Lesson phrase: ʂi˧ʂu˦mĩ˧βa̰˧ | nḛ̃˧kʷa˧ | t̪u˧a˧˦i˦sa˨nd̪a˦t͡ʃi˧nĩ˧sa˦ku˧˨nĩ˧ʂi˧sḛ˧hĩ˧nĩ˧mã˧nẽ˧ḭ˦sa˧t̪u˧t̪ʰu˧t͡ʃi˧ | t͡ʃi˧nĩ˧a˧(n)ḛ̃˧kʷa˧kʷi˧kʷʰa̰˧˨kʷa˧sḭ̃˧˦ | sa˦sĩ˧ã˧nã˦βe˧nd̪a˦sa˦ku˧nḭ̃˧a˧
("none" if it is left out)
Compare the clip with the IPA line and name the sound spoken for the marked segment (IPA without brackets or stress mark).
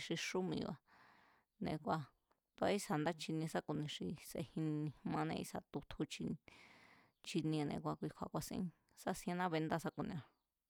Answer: n